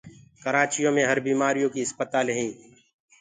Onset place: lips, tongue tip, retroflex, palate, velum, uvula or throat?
velum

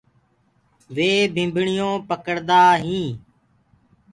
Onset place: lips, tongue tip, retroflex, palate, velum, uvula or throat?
lips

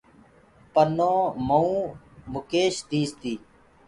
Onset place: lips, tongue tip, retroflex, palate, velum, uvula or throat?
lips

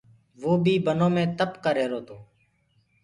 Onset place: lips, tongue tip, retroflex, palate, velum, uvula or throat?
lips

